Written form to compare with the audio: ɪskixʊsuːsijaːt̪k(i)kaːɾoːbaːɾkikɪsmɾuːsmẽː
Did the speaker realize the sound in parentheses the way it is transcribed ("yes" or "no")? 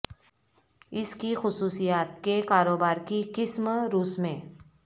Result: no